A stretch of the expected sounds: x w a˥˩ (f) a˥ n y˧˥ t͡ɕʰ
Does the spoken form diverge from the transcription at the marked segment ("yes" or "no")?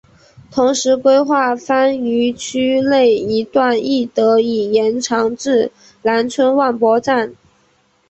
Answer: no